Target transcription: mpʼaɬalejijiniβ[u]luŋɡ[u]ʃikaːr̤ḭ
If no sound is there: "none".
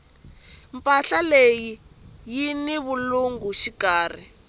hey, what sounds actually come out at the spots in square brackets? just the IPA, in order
u, u

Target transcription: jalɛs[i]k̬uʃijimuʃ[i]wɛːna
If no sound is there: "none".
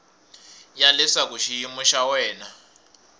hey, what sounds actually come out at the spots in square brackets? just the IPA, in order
a, a

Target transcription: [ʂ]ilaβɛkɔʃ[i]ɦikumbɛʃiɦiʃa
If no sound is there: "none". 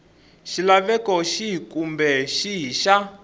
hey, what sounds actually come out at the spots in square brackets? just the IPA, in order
ʃ, i

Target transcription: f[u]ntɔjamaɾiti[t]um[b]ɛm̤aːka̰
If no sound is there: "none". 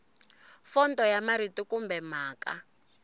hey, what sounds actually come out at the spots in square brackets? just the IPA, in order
ɔ, k, b

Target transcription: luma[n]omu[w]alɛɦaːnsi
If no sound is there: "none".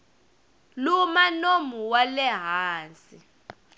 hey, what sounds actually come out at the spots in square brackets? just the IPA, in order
n, w

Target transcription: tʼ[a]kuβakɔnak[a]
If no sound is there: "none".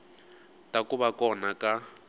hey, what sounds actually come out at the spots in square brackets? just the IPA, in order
a, a

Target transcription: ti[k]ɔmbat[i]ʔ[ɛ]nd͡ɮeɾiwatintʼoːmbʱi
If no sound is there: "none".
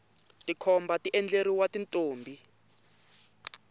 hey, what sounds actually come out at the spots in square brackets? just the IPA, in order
kʰ, i, ɛ

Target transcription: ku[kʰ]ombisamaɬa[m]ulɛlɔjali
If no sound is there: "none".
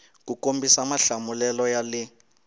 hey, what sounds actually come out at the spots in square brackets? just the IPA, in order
k, m

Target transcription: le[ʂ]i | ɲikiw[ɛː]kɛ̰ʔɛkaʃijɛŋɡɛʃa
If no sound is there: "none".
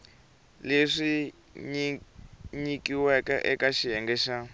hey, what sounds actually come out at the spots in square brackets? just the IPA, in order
ʂ, ɛ

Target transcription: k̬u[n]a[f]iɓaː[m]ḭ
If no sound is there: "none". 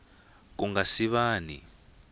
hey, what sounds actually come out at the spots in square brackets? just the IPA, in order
ŋ, s, n

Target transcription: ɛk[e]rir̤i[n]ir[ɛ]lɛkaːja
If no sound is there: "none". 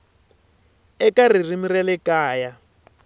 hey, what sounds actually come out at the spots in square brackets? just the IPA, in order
a, m, ɛ

